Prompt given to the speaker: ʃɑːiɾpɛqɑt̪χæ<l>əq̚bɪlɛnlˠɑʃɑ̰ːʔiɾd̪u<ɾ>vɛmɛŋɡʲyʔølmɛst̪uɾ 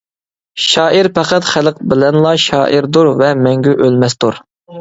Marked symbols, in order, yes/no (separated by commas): yes, yes